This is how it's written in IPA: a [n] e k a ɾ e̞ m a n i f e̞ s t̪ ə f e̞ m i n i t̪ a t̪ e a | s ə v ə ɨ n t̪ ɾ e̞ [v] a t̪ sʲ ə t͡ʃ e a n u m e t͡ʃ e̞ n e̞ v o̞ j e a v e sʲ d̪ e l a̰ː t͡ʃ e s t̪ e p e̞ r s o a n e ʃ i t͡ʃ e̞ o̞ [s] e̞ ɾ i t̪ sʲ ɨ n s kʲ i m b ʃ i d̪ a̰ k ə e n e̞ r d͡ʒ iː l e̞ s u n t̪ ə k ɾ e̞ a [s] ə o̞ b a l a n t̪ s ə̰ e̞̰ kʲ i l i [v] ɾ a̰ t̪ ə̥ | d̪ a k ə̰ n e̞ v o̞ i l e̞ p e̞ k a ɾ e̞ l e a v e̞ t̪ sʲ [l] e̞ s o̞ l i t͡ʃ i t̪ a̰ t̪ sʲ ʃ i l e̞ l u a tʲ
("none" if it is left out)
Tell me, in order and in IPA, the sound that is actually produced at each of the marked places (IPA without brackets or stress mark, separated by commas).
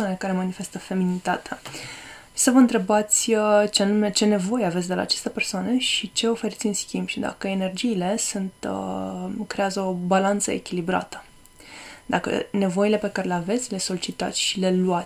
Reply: n, b, f, z, b, l